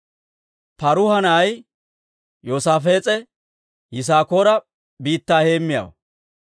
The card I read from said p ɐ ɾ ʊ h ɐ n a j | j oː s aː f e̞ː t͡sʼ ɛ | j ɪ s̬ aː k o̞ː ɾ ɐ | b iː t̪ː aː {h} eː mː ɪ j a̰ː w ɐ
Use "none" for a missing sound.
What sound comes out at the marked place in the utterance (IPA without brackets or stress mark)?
h